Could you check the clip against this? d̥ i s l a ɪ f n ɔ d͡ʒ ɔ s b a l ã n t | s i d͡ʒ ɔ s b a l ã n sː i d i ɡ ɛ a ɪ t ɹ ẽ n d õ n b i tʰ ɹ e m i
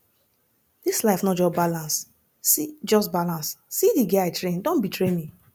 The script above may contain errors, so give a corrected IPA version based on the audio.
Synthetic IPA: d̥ i s l a ɪ f n ɔ d͡ʒ ɔ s b a l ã n s | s i d͡ʒ ɔ s b a l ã n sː i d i ɡ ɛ a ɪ t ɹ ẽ n d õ n b i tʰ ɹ e m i